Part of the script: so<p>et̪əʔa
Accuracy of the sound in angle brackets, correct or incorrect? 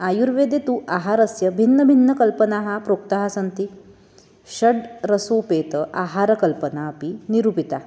correct